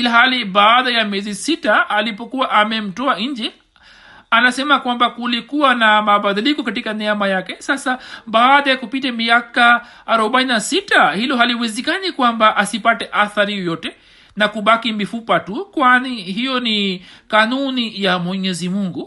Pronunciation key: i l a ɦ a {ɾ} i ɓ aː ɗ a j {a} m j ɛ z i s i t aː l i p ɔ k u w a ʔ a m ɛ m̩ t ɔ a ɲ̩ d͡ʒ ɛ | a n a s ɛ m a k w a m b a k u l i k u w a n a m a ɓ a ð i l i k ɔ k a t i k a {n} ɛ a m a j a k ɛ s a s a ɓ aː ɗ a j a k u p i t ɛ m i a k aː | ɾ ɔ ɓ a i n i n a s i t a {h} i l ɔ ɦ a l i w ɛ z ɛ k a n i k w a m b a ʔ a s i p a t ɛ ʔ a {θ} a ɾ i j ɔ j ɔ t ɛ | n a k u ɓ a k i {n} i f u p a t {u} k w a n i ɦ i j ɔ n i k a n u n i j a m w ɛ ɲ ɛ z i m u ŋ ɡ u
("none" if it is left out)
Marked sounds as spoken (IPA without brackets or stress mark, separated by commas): l, a, n, h, θ, m, u